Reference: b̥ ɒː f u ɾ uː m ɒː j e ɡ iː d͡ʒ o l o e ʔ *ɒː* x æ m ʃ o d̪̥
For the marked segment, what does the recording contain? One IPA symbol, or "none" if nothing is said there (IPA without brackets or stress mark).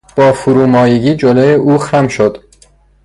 uː